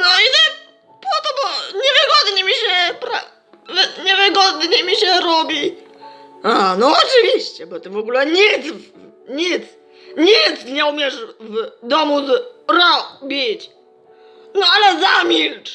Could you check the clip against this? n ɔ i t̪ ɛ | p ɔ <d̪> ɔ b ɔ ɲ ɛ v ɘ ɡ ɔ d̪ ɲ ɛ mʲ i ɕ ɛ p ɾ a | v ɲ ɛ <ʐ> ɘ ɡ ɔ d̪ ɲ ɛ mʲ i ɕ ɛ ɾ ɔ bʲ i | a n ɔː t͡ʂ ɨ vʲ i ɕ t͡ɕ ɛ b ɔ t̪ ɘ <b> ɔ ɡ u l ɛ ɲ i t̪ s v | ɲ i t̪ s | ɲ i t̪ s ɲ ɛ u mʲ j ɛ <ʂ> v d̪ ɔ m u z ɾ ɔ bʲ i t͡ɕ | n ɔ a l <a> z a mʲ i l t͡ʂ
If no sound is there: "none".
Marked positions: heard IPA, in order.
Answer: t̪, v, v, ʂ, ɛ

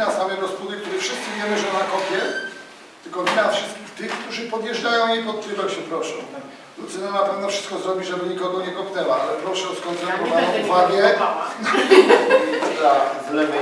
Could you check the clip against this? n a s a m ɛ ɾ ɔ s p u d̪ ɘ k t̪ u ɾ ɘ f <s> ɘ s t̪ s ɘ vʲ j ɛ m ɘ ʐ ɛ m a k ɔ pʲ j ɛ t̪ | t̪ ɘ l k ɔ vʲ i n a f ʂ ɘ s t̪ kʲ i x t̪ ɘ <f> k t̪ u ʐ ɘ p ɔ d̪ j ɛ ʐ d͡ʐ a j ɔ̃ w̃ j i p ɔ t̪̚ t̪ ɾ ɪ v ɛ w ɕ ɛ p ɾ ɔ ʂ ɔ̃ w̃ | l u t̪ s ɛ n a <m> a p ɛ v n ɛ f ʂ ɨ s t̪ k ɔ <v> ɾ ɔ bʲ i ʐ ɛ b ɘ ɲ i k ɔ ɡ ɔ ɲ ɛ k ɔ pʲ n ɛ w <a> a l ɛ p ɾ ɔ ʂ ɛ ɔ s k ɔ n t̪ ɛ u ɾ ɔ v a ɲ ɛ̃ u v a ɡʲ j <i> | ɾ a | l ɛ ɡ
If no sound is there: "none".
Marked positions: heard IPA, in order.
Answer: ʂ, x, n, z, a, ɛ

